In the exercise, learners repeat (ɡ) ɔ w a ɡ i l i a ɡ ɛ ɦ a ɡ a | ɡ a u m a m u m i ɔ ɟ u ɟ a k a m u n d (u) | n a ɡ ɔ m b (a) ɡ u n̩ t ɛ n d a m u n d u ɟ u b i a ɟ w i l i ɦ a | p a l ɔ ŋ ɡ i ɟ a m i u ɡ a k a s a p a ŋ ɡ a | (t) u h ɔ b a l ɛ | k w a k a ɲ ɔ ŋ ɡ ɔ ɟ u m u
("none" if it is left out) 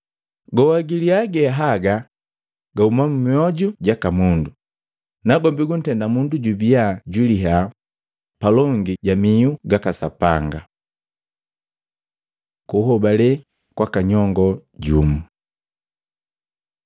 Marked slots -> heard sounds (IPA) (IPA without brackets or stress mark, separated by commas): ɡ, u, i, k